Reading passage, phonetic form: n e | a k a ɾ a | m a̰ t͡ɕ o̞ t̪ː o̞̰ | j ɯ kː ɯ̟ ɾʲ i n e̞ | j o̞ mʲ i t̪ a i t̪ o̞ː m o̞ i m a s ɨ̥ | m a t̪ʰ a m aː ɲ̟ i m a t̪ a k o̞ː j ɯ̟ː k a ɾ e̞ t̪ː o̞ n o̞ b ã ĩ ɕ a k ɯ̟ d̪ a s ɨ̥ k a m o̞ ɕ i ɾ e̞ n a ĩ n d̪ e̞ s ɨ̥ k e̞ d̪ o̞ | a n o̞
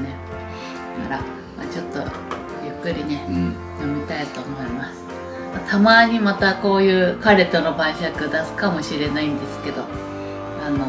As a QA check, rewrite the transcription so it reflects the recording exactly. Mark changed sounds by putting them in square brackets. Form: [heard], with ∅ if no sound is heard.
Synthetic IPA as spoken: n e | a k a ɾ a | m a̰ t͡ɕ o̞ t̪ː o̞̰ | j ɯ kː ɯ̟ ɾʲ i n e̞ | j o̞ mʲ i t̪ a i t̪ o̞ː m o̞ i m a s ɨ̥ | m a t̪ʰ a m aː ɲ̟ i m a t̪ a k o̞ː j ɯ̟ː k a ɾ e̞ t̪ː o̞ n o̞ b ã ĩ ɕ a k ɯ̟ d̪ a s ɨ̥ k a m o̞ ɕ i ɾ e̞ n a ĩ n d̪ e̞ s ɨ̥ k e̞ d̪ o̞ | a n o̞